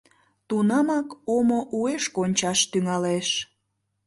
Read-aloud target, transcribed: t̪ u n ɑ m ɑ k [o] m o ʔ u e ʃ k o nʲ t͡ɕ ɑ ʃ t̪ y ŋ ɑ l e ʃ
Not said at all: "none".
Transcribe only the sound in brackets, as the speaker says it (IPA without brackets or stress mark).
o